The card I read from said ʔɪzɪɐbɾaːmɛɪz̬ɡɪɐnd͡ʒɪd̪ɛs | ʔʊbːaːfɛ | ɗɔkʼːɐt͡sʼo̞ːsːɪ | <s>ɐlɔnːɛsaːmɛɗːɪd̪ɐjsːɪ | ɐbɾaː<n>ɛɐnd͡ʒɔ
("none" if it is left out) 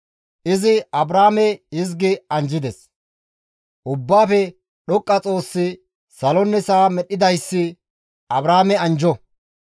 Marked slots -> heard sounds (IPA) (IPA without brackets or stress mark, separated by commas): s, m